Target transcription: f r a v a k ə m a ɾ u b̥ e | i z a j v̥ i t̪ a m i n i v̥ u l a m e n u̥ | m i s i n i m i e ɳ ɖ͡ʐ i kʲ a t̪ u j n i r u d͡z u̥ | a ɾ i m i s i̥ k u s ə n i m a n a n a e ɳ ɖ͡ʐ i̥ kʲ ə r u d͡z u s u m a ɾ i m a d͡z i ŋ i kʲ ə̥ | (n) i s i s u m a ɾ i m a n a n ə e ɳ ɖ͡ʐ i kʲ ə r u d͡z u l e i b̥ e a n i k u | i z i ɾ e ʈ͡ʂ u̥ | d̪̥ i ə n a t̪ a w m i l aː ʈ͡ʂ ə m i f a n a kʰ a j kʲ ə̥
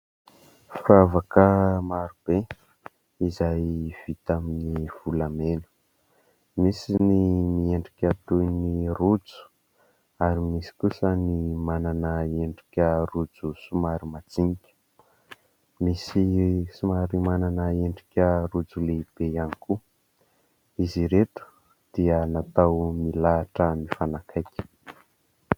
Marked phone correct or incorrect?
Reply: incorrect